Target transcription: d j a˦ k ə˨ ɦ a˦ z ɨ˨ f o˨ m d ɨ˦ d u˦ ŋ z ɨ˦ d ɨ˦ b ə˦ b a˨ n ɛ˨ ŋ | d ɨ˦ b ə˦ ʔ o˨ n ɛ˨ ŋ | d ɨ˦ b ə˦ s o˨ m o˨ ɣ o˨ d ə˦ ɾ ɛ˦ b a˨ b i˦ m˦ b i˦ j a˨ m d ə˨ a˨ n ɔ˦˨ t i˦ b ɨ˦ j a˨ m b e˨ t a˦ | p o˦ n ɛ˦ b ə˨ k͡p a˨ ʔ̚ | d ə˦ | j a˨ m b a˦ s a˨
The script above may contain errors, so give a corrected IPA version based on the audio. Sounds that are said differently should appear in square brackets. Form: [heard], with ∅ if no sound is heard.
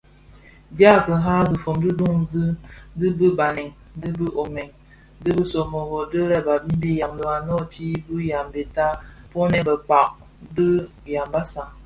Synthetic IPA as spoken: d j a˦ k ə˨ ɦ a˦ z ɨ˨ f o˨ m d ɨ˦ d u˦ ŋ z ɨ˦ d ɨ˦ b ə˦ b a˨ n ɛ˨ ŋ | d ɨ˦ b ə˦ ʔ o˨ [m] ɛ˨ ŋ | d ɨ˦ b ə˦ s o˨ m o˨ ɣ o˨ d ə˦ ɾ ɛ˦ b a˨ b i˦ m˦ b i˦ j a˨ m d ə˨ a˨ n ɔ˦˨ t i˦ b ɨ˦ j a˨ m b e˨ t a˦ | p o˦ n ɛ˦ b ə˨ k͡p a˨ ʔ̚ | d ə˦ | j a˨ m b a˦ s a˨